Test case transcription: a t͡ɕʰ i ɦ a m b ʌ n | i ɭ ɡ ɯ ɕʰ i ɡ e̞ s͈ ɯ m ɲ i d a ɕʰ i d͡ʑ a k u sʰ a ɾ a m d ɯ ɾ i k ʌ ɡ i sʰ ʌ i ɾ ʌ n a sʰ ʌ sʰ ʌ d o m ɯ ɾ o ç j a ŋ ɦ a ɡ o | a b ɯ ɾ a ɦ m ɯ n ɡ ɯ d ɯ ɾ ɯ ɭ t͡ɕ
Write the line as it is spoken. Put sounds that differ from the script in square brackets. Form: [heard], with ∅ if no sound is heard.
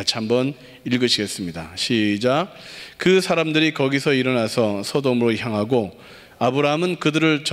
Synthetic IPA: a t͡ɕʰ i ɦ a m b ʌ n | i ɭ ɡ ɯ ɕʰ i ɡ e̞ s͈ ɯ m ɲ i d a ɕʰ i d͡ʑ a k [ɯ] sʰ a ɾ a m d ɯ ɾ i k ʌ ɡ i sʰ ʌ i ɾ ʌ n a sʰ ʌ sʰ ʌ d o m ɯ ɾ o ç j a ŋ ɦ a ɡ o | a b ɯ ɾ a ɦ m ɯ n [k] ɯ d ɯ ɾ ɯ ɭ t͡ɕ